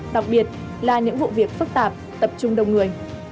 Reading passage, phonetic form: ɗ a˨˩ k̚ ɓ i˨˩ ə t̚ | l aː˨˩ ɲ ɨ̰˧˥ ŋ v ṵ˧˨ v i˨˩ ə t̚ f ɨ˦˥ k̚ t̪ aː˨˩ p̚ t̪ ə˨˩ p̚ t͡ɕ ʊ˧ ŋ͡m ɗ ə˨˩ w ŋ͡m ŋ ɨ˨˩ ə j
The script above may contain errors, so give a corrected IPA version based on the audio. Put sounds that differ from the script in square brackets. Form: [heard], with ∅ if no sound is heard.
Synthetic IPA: ɗ a˨˩ k̚ ɓ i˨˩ ə t̚ | l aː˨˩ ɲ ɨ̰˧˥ ŋ v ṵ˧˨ v i˨˩ ə [k̚] f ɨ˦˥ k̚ t̪ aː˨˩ p̚ t̪ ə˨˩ p̚ t͡ɕ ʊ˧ ŋ͡m ɗ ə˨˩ w ŋ͡m ŋ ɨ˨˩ ə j